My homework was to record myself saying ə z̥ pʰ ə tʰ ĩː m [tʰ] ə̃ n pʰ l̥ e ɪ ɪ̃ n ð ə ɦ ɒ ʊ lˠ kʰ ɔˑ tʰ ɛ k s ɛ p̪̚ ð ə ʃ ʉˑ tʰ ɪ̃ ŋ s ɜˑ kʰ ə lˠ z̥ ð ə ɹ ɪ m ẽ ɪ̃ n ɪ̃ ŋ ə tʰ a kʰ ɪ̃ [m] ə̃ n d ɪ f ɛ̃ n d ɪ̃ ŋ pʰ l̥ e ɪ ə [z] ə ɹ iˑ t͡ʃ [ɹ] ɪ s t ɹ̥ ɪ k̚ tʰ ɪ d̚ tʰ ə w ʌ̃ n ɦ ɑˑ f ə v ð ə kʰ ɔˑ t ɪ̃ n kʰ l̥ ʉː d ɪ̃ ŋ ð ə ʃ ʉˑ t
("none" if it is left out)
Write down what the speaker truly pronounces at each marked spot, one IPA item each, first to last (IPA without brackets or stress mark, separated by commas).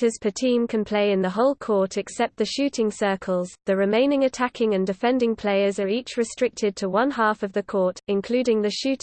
kʰ, ŋ, z, ɹ